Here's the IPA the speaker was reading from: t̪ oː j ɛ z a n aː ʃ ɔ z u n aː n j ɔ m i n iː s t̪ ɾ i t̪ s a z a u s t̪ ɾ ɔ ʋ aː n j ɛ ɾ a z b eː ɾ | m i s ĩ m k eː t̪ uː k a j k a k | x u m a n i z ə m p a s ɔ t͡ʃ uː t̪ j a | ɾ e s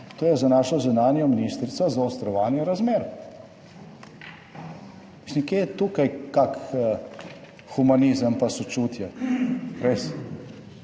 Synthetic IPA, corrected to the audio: t̪ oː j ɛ z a n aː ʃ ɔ z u n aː n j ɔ m i n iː s t̪ ɾ i t̪ s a z a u s t̪ ɾ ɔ ʋ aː n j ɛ ɾ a z m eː ɾ | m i s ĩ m k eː t̪ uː k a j k a k | x u m a n i z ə m p a s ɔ t͡ʃ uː t̪ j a | ɾ e s

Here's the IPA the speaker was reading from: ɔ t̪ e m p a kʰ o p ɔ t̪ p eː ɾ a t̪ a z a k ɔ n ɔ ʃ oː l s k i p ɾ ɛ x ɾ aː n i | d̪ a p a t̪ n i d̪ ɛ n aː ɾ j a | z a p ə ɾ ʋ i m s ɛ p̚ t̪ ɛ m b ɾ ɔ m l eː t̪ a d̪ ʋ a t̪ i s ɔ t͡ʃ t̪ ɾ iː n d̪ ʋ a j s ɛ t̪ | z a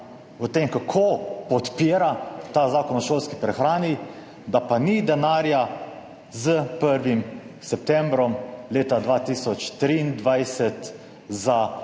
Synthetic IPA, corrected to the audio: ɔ t̪ e m k a kʰ o p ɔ t̪ p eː ɾ a t̪ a z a k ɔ n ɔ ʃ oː l s k i p ɾ ɛ x ɾ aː n i | d̪ a p a n i d̪ ɛ n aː ɾ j a | z ə p ə ɾ ʋ i m s ɛ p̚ t̪ ɛ m b ɾ ɔ m l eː t̪ a d̪ ʋ a t̪ i s ɔ t͡ʃ t̪ ɾ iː n d̪ ʋ a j s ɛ t̪ | z a

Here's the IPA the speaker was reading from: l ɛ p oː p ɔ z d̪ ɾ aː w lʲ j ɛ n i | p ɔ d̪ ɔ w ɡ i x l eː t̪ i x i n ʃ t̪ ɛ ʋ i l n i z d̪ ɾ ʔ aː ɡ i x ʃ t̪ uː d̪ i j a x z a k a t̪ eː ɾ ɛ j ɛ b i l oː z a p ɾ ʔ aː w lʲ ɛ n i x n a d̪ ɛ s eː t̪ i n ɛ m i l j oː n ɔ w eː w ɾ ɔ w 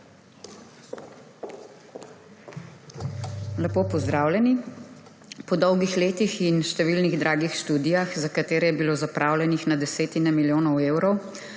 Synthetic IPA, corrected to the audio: l ɛ p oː p ɔ z d̪ ɾ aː w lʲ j ɛ n i | p ɔ d̪ ɔ w ɡ i x l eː t̪ i x i n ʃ t̪ ɛ ʋ i l n i ɣ d̪ ɾ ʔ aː ɡ i x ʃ t̪ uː d̪ i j a x z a k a t̪ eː ɾ ɛ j ɛ b i l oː z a p ɾ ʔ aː w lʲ ɛ n i x n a d̪ ɛ s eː t̪ i n ɛ m i l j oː n ɔ w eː w ɾ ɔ w

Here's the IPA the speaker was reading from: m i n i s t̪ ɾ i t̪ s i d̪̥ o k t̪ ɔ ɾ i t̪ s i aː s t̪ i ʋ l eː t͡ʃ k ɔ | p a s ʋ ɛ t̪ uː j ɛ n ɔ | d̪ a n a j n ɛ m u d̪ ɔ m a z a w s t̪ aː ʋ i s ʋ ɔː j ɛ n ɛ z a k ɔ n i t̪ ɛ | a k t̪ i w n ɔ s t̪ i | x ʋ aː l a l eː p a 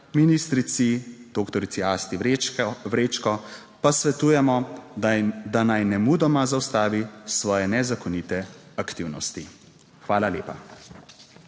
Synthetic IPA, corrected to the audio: m i n i s t̪ ɾ i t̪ s i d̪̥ o k t̪ ɔ ɾ i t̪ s i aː s t̪ i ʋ ɾ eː t͡ʃ k ɔ | p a s ʋ ɛ t̪ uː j ɛ m ɔ | d̪ a n a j n ɛ m u d̪ ɔ m a z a w s t̪ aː ʋ i s ʋ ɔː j ɛ n ɛ z a k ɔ n i t̪ ɛ | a k t̪ i w n ɔ s t̪ i | x ʋ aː l a l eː p a

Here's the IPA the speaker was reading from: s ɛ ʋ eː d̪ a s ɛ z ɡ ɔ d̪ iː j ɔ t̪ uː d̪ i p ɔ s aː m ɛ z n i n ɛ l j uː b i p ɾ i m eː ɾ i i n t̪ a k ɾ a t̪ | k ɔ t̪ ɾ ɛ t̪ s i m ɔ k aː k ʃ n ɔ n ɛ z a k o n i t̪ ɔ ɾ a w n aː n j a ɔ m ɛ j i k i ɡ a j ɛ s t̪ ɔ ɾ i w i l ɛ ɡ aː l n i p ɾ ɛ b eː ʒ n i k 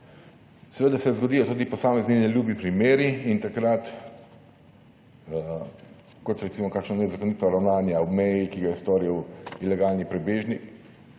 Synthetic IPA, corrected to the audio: s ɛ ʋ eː d̪ a s ɛ z ɡ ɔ d̪ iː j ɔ t̪ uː d̪ i p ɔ s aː m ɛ z n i n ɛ l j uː b i p ɾ i m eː ɾ i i n t̪ a k ɾ a t̪ | k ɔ t̪ ɾ ɛ t̪ s i m ɔ k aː k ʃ n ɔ n ɛ z a k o n i t̪ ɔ ɾ a w n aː n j a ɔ m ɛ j i k i ɡ a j ɛ s t̪ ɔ ɾ i w i l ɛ ɡ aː l n i p ɾ ɛ b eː ʒ n i k

